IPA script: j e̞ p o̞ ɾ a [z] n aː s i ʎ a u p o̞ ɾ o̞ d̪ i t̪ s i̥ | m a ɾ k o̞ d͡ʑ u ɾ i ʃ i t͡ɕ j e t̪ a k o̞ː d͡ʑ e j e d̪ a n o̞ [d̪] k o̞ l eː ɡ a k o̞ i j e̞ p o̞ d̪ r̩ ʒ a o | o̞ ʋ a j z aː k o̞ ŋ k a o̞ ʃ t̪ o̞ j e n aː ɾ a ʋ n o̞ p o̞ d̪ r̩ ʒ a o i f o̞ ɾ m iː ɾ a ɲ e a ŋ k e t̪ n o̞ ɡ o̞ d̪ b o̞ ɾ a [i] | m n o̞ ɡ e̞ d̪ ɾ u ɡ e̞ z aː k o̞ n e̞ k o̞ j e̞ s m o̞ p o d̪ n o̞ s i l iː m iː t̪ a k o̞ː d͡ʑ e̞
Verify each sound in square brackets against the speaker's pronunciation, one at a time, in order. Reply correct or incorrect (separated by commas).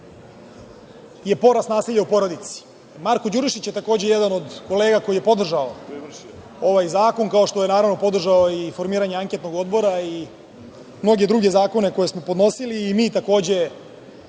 incorrect, correct, correct